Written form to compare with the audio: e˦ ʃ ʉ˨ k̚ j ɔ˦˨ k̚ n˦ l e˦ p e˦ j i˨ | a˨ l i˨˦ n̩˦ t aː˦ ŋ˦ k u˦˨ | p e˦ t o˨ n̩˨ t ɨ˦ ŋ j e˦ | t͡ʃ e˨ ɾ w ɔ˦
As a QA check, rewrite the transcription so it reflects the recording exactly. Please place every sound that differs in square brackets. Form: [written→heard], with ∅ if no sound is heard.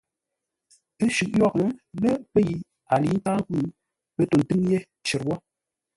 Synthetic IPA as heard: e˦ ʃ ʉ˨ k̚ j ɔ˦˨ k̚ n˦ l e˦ p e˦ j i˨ | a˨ l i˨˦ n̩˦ t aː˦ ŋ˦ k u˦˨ | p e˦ t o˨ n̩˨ t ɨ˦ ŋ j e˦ | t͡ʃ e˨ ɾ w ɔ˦